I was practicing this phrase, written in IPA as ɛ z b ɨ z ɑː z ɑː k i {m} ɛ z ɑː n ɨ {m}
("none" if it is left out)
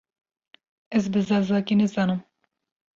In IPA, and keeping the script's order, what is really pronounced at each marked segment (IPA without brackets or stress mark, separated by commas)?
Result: n, m